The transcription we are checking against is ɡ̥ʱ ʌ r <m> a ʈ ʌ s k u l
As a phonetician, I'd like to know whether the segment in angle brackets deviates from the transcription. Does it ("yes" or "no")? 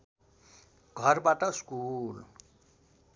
yes